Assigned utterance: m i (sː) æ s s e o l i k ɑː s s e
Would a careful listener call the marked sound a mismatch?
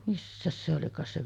no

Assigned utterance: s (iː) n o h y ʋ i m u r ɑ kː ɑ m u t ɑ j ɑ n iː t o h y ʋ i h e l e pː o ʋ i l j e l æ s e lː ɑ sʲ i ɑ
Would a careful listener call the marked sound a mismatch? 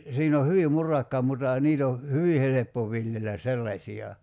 no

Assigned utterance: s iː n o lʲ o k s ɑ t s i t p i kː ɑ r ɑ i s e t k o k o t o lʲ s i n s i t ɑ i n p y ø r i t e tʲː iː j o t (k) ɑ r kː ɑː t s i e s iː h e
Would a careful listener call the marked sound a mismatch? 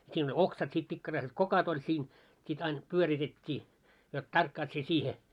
yes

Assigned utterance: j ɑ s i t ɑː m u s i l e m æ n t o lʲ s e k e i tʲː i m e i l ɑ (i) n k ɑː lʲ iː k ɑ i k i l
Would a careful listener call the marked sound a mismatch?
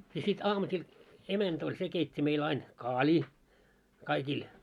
no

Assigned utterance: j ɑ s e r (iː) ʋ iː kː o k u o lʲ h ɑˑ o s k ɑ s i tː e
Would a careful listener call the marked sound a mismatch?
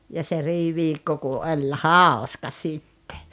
no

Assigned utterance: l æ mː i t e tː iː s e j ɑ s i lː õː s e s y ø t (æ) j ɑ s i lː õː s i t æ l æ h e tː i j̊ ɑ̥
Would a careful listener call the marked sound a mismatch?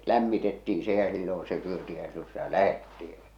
yes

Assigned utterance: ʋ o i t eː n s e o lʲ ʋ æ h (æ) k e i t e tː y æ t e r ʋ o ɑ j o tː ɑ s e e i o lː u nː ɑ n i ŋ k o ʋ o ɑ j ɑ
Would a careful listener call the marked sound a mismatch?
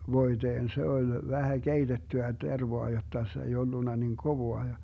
no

